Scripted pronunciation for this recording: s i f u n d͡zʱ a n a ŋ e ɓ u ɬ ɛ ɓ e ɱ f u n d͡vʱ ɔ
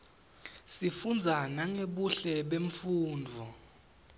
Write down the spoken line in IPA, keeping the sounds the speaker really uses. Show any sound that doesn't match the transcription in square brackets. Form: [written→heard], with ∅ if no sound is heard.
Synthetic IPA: s i f u n d͡zʱ a n a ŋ e ɓ u ɬ ɛ ɓ e ɱ f [u→uː] n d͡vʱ ɔ